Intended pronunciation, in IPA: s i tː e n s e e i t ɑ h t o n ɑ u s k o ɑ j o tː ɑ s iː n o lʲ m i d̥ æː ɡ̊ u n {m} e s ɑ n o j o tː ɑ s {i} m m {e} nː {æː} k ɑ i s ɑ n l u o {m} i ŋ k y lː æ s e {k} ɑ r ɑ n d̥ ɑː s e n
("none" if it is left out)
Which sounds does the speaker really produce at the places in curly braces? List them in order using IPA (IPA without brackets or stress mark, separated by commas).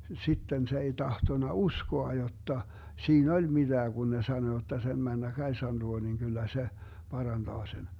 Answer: n, e, æ, æ, n, p